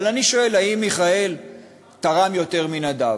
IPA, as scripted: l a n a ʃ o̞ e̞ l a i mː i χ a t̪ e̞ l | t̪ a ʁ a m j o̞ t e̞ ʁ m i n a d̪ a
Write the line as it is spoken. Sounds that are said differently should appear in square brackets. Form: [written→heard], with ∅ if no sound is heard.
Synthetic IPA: l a n [a→i] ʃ o̞ e̞ l a i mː i χ a [t̪→∅] e̞ l | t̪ a ʁ a m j o̞ t e̞ ʁ m i n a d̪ a

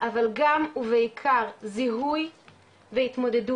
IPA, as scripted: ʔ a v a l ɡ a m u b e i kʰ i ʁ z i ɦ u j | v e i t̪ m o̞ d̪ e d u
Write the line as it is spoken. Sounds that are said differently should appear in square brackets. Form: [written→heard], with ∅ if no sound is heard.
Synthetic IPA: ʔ a v a l ɡ a m u [b→v] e i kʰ [i→a] ʁ z i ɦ u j | v e i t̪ m o̞ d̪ e d u

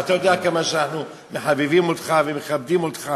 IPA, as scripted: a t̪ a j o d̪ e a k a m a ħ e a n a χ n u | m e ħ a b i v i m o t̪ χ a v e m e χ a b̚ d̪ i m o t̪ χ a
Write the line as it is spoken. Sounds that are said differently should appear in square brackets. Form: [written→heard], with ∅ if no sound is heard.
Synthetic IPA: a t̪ a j o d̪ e a k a m a [ħ→ʃ] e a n a [χ→ħ] n u | m e ħ a b i v i m o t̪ χ a v e m e χ a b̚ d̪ i m o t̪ χ a

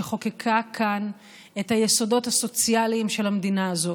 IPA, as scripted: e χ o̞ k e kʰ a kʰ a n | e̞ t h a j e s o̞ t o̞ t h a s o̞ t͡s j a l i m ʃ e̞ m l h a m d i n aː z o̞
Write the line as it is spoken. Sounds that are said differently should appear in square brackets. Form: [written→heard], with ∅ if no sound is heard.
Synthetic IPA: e χ o̞ k e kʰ a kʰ a n | e̞ t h a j e s o̞ [t→d] o̞ t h a s o̞ t͡s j a l i m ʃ e̞ [m→∅] l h a m d i n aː z o̞

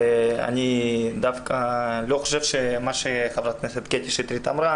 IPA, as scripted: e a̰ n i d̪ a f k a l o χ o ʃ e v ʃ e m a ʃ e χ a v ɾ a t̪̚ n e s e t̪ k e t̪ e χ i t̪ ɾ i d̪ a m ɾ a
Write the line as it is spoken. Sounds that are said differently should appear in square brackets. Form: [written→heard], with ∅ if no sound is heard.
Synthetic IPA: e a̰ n i d̪ a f k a l o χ o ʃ e v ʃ e m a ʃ e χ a v ɾ a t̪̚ n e s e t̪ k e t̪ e [χ→ʃ] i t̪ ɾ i [d̪→t̪] a m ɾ a

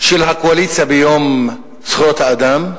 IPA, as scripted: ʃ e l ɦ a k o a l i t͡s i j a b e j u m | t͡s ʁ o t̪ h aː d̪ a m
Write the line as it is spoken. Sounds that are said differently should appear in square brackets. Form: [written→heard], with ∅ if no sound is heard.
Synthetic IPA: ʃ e l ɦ a k o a l i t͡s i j a b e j [u→o] m | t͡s [ʁ→χ] o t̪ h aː d̪ a m

